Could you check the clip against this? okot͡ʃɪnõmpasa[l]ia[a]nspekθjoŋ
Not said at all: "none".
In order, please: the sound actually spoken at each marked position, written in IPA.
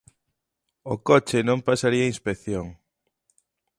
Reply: ɾ, i

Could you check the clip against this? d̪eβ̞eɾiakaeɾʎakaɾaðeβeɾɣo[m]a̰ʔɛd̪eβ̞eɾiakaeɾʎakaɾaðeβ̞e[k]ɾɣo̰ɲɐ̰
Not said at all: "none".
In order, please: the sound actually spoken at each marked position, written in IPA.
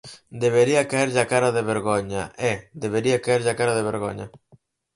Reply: ɲ, none

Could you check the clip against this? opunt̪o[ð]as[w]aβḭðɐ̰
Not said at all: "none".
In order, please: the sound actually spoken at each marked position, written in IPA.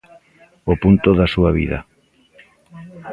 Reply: ð, u

